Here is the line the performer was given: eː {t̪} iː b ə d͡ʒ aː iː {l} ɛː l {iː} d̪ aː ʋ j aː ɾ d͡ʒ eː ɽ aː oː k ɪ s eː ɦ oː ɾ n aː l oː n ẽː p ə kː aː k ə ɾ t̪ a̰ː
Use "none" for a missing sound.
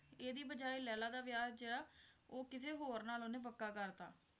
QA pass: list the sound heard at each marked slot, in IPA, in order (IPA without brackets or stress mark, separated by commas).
d̪, l, aː